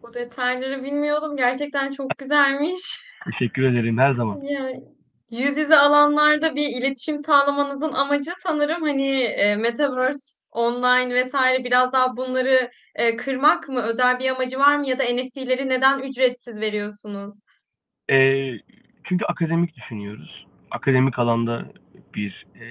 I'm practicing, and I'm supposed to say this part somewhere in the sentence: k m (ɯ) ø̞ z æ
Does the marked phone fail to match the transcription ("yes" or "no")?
no